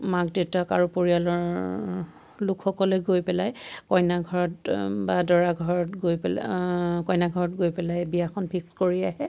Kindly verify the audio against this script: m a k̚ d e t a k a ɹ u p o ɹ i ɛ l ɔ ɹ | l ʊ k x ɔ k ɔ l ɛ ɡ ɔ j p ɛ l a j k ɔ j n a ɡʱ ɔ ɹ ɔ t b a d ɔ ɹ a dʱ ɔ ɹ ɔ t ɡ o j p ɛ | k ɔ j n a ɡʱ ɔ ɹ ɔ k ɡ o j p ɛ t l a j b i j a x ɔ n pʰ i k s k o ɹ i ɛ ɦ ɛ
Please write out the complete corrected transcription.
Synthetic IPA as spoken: m a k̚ d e t a k a ɹ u p o ɹ i a l ɔ ɹ | l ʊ k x ɔ k ɔ l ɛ ɡ o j p ɛ l a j k ɔ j n a ɡʱ ɔ ɹ ɔ t b a d ɔ ɹ a ɡʱ ɔ ɹ ɔ t ɡ o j p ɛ | k ɔ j n a ɡʱ ɔ ɹ ɔ t ɡ o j p ɛ l a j b i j a x ɔ n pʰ i k s k o ɹ i a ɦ ɛ